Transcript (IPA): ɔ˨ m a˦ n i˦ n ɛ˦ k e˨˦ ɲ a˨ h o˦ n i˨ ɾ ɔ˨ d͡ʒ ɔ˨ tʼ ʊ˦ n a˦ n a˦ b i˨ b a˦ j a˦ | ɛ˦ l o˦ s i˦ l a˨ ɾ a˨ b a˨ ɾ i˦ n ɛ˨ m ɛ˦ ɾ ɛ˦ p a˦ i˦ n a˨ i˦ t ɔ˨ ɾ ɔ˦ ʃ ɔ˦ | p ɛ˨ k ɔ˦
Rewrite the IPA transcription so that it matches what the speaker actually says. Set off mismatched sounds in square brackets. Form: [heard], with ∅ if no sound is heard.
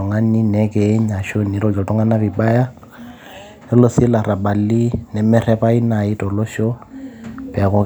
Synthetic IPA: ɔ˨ [ŋ] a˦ n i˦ n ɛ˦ k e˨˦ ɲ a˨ [ʃ] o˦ n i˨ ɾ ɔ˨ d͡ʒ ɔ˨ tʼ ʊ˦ [ŋ] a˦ n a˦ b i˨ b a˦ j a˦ | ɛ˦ l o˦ s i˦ l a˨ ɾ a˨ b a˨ [l] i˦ n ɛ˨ m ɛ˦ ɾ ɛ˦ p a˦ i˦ n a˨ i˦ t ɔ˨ [l] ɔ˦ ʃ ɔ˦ | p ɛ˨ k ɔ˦

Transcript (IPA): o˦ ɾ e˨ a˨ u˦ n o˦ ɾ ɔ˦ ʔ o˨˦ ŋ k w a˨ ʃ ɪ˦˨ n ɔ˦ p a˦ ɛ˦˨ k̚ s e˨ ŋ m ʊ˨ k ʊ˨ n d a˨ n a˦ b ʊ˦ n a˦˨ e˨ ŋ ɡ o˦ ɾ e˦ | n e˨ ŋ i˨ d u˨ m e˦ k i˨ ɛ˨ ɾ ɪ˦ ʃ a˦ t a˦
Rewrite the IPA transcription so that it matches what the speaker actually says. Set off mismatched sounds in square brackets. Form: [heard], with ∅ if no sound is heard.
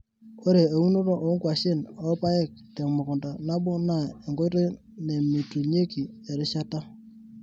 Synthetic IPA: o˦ ɾ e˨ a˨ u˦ n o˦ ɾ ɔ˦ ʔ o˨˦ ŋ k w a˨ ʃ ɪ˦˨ n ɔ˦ p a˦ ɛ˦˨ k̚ [t] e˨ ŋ m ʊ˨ k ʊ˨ n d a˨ n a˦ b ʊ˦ n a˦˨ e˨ ŋ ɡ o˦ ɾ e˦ | n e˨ [m] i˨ [t] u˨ [ɲ] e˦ k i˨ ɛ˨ ɾ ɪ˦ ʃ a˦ t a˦

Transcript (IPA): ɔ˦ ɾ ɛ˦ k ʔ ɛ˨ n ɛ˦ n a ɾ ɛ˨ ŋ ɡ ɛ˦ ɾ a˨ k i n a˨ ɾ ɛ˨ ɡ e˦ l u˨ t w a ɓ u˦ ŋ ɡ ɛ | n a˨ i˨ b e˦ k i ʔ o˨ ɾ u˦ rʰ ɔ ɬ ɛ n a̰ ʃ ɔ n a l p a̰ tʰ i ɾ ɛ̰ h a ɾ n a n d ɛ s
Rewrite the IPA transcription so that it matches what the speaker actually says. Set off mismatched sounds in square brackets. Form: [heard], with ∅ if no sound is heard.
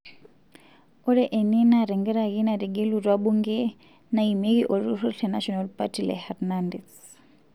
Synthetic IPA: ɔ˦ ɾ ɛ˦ [∅] ʔ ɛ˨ n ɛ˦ n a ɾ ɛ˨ ŋ ɡ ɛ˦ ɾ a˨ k i n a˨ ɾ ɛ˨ ɡ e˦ l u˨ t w a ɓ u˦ ŋ ɡ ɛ | n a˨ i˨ [m] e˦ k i ʔ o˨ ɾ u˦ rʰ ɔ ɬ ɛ n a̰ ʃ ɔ n a l p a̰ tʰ i [l] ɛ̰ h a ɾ n a n d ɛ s

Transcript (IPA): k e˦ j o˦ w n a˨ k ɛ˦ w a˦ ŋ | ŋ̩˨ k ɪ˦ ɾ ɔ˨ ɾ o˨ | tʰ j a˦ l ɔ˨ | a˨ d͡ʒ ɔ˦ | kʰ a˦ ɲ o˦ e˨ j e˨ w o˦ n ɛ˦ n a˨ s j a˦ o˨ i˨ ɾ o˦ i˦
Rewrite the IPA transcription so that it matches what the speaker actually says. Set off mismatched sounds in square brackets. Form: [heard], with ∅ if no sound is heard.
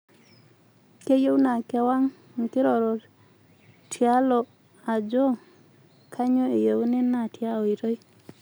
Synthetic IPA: k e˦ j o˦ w n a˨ k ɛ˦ w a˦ ŋ | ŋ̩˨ k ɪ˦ ɾ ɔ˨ ɾ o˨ | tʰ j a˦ l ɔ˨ | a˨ d͡ʒ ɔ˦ | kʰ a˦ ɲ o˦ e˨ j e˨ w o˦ n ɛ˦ n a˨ [t] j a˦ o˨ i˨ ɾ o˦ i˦

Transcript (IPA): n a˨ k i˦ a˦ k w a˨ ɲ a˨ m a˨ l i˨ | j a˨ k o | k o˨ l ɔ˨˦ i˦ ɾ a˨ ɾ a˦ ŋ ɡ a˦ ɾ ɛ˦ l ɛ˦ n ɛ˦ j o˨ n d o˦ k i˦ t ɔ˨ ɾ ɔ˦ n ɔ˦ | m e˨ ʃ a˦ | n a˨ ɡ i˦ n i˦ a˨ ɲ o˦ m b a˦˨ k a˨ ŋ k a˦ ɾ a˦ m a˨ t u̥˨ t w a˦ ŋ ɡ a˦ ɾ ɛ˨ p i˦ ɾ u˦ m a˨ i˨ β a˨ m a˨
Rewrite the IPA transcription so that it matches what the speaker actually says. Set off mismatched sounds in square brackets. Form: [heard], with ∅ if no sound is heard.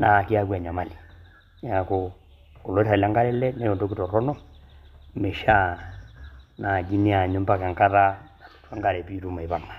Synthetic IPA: n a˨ k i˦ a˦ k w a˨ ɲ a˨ m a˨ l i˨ | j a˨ k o | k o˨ l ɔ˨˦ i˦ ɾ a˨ [l] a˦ ŋ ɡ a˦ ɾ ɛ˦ l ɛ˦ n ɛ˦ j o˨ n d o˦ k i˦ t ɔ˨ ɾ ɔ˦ n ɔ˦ | m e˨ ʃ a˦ | n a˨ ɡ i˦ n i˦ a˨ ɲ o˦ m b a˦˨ k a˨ ŋ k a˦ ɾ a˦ [n] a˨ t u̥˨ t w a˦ ŋ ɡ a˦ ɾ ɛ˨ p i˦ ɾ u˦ m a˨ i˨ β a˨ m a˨

